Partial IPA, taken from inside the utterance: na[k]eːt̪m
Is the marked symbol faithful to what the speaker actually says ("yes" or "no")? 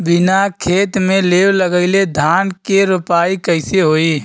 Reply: no